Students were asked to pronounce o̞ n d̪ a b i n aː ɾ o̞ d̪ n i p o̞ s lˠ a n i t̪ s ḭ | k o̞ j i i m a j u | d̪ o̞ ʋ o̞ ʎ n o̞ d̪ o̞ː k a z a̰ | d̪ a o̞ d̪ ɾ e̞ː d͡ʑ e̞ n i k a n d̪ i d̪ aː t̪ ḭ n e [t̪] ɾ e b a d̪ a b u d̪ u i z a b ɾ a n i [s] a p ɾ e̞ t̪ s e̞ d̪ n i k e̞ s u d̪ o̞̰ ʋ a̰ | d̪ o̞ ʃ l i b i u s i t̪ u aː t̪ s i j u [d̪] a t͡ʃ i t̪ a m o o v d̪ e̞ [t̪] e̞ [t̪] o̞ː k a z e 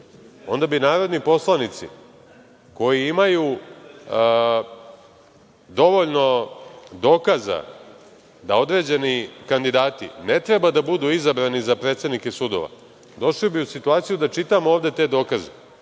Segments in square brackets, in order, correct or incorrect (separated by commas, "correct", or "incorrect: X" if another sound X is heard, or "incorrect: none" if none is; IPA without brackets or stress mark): correct, incorrect: z, correct, correct, incorrect: d̪